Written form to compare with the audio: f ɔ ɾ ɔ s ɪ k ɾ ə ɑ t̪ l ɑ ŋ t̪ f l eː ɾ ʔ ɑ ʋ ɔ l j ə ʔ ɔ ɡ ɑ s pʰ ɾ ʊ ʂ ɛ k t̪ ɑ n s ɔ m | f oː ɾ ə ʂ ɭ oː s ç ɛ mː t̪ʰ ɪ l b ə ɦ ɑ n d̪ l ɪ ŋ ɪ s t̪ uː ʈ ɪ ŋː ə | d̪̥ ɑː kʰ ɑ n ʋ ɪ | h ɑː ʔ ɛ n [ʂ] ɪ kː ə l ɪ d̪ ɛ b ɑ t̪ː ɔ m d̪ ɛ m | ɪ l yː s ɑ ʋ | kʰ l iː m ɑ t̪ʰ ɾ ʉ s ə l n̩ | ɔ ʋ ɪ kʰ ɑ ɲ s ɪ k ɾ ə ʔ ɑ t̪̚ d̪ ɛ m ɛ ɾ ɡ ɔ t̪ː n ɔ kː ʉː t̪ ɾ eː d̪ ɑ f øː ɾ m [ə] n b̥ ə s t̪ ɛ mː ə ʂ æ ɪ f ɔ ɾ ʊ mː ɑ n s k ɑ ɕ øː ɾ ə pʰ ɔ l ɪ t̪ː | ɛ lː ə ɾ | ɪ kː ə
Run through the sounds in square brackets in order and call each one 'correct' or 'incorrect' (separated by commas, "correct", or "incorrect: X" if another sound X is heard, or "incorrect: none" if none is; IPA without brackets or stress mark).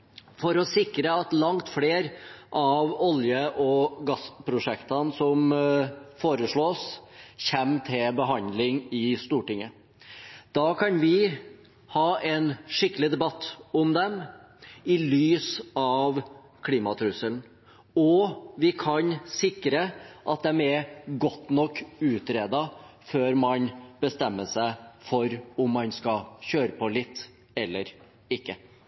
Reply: correct, incorrect: ɑ